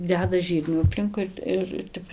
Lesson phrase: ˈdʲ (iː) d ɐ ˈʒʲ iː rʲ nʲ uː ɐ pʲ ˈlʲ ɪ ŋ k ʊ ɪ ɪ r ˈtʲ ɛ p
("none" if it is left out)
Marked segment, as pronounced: æː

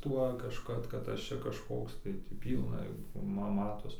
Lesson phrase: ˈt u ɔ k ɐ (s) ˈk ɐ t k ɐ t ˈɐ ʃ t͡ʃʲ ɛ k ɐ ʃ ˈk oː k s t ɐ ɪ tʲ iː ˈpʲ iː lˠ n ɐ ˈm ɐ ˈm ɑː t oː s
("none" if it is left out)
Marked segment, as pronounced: ʃ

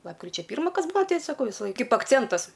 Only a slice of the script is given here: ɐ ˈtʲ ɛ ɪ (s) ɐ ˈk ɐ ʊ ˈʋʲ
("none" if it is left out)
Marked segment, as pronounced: s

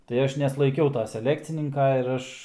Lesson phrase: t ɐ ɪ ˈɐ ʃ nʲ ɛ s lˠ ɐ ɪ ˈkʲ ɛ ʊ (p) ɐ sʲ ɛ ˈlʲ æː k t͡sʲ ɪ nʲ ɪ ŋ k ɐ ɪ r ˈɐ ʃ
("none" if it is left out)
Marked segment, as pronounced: t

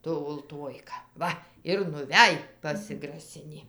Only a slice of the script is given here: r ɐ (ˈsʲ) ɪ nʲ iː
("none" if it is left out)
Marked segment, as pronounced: sʲ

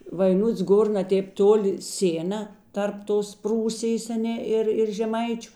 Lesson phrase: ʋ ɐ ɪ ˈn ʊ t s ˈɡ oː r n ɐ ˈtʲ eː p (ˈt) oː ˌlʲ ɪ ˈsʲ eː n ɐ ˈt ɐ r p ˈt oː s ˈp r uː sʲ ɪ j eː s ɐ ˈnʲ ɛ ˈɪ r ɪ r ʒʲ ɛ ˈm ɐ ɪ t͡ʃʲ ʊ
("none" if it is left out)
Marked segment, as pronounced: t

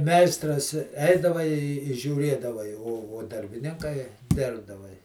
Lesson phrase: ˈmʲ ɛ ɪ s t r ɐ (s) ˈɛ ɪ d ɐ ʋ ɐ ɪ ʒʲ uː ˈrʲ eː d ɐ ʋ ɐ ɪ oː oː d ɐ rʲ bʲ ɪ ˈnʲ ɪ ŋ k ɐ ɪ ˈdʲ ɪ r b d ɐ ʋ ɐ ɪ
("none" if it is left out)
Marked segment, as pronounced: s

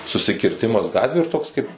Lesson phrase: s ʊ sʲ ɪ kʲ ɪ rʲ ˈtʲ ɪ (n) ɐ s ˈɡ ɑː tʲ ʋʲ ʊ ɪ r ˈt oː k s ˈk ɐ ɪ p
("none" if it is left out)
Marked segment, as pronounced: m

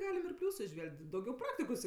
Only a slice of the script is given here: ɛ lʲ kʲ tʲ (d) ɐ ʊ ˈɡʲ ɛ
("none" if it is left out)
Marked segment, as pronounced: d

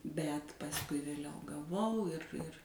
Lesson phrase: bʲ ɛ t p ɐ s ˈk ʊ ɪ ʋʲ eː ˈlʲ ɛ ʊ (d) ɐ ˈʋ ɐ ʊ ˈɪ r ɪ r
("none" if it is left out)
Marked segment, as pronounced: ɡ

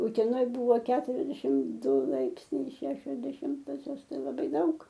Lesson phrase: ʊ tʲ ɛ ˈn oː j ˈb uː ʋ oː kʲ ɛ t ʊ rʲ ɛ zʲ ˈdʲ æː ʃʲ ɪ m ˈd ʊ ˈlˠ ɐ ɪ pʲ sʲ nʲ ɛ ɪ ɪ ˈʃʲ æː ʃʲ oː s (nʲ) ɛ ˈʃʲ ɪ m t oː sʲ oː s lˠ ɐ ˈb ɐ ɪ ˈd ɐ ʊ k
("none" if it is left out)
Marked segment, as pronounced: dʲ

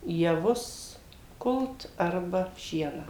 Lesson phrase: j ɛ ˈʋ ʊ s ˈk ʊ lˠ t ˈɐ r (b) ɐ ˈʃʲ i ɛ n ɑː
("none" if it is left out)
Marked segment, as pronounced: b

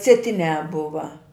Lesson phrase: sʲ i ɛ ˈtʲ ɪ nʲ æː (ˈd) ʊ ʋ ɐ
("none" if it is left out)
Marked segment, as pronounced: b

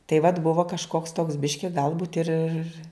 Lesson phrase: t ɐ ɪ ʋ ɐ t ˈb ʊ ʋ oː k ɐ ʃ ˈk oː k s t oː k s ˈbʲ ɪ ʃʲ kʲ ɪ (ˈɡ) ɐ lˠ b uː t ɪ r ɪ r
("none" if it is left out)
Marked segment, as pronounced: ɡ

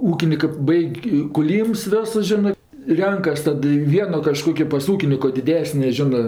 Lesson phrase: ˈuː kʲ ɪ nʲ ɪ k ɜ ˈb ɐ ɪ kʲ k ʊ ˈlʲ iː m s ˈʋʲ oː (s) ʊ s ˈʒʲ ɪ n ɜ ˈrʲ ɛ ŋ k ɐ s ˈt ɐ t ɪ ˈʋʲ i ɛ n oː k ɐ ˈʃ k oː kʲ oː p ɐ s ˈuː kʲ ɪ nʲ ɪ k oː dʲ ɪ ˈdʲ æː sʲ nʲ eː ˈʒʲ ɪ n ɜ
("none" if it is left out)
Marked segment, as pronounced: s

